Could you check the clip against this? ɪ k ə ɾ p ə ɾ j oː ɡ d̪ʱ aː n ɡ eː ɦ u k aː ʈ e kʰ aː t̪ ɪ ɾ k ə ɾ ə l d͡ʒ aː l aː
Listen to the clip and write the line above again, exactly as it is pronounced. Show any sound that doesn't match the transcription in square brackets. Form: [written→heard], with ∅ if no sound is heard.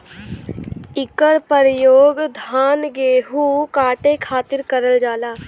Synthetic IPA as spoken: ɪ k ə ɾ p ə ɾ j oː ɡ d̪ʱ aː n ɡ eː ɦ u k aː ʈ e kʰ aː t̪ ɪ ɾ k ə ɾ ə l d͡ʒ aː l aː